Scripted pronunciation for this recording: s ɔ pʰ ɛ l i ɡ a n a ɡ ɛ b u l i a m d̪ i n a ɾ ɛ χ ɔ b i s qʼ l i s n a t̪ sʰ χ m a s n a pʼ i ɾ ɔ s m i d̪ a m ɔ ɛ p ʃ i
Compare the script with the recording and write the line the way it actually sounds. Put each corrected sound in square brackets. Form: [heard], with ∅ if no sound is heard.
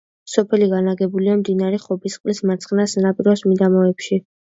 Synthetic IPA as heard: s ɔ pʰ ɛ l i ɡ a n a ɡ ɛ b u l i a m d̪ i n a ɾ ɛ χ ɔ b i s qʼ l i s [m] a t̪ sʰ χ [n] a s n a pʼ i ɾ ɔ s m i d̪ a m ɔ ɛ p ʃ i